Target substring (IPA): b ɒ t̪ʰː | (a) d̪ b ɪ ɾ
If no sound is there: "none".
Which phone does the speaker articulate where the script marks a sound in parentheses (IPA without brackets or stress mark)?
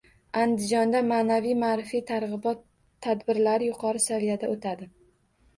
a